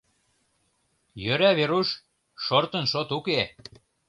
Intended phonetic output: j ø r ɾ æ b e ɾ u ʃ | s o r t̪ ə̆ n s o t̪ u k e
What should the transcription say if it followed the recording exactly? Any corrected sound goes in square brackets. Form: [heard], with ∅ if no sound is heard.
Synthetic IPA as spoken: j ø [∅] ɾ æ [β] e ɾ u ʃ | [ʃ] o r t̪ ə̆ n [ʃ] o t̪ u k e